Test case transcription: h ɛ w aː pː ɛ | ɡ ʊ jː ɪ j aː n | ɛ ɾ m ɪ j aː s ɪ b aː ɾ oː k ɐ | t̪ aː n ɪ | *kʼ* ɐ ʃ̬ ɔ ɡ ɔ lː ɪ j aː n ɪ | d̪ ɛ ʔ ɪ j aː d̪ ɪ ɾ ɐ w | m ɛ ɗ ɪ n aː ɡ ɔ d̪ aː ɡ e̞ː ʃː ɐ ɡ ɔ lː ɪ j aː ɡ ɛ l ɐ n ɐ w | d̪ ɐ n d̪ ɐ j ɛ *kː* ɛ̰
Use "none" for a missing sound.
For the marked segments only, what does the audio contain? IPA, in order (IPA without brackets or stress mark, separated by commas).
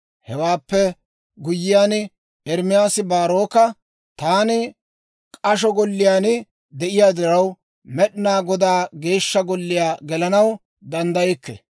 kʼ, kː